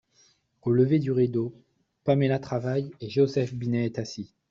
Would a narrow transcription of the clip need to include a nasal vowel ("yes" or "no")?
no